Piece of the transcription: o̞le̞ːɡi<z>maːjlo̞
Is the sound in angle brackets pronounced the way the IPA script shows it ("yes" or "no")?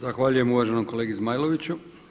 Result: yes